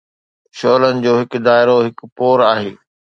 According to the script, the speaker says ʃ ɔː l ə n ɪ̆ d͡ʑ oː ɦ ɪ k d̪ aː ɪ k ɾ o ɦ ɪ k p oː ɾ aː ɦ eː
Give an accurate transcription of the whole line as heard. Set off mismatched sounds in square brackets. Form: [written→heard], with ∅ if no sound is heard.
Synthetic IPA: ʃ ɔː l ə n ɪ̆ d͡ʑ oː ɦ ɪ k d̪ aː ɪ [k→∅] ɾ o ɦ ɪ k p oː ɾ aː ɦ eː